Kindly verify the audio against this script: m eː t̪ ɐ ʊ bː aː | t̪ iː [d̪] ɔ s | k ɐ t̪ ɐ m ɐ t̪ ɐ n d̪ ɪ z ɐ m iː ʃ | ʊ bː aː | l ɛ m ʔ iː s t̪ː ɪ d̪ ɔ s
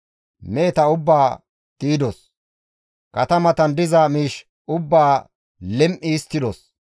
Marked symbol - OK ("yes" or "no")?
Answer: yes